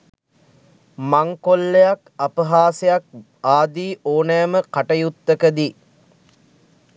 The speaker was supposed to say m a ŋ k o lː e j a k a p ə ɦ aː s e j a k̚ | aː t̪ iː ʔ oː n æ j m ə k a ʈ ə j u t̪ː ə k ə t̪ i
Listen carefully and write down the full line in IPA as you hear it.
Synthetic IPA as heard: m a ŋ k o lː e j a k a p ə ɦ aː s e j a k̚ | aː d̪ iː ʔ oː n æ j m ə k a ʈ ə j u t̪ː ə k ə d̪ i